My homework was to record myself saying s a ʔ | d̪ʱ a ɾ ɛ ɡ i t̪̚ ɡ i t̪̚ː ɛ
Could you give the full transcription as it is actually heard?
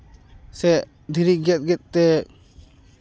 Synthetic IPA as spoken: s ɛ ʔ | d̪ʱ i ɾ i ɡ ɛ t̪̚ ɡ ɛ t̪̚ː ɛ